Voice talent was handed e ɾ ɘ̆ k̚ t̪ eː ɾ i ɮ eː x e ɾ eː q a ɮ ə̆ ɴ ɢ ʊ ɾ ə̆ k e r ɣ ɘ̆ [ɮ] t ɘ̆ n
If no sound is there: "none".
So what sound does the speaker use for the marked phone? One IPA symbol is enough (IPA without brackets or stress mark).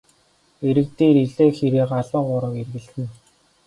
ɮ